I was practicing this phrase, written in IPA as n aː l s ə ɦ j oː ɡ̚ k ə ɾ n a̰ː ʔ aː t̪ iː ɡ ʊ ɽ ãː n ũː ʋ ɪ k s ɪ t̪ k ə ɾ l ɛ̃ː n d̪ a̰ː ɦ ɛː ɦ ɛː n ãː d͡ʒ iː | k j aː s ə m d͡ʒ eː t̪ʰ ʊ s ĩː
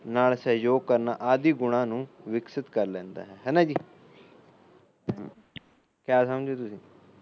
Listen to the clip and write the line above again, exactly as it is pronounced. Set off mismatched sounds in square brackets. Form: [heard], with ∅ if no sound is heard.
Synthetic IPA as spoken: n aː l s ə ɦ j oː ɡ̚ k ə ɾ n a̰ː ʔ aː [d̪] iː ɡ ʊ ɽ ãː n ũː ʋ ɪ k s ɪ t̪ k ə ɾ l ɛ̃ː n d̪ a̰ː ɦ ɛː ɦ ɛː n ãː d͡ʒ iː | k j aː s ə m d͡ʒ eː [t̪] ʊ s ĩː